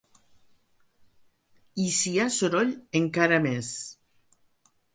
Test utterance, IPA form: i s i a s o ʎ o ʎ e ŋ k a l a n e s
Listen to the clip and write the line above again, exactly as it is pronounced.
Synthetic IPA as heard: i s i a s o ɾ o ʎ e ŋ k a ɾ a m e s